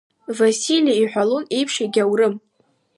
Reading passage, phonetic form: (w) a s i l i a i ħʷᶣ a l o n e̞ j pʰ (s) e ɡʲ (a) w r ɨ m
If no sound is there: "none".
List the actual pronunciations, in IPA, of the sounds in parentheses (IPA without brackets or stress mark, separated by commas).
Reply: v, ʂ, a